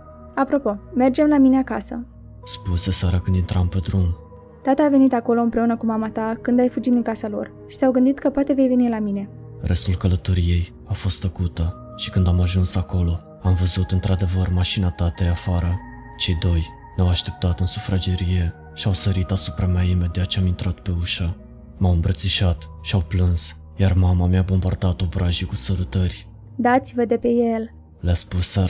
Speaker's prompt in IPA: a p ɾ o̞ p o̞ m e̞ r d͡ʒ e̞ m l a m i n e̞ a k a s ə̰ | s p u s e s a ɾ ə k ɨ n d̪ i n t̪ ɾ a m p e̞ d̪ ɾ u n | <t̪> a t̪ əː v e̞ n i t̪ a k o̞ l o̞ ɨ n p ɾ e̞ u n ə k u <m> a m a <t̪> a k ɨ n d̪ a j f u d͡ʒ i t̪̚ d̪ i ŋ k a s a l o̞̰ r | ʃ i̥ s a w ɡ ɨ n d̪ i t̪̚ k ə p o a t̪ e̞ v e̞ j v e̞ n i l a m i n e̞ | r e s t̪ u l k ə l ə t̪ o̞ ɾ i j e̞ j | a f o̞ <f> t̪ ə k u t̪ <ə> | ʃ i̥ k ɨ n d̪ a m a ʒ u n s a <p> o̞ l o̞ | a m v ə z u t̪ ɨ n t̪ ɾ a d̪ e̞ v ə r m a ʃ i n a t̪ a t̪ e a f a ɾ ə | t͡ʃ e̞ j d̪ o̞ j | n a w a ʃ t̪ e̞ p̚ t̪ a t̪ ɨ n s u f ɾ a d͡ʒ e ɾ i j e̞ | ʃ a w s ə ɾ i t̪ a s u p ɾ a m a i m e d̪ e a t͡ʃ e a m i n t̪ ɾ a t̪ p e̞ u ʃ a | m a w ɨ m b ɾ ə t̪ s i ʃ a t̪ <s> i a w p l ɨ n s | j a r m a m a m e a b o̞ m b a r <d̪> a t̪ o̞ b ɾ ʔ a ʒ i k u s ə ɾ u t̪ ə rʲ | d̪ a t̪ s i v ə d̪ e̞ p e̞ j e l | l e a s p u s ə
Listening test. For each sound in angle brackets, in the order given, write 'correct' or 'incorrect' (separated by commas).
correct, correct, correct, incorrect, correct, incorrect, incorrect, correct